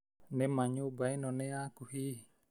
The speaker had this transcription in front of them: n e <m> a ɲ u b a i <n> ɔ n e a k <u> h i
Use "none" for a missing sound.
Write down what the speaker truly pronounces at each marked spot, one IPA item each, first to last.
m, n, u

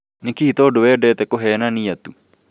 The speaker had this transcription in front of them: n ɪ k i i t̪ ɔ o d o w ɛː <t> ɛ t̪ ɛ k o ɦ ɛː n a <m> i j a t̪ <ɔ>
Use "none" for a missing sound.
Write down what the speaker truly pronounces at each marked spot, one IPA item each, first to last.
d, n, u

